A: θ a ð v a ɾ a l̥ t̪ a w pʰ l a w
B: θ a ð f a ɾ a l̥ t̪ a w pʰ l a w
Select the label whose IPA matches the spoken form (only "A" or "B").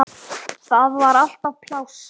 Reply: A